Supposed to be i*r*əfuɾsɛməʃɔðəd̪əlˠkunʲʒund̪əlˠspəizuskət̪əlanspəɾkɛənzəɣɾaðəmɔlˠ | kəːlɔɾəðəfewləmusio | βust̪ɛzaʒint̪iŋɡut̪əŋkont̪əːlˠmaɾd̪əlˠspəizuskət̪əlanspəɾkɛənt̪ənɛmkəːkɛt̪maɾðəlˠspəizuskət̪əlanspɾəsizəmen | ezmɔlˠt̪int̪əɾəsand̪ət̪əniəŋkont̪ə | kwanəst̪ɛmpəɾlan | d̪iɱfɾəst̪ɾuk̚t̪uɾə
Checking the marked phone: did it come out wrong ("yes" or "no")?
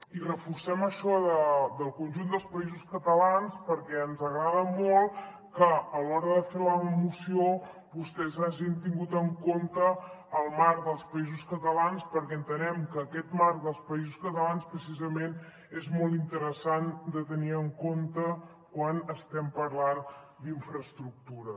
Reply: no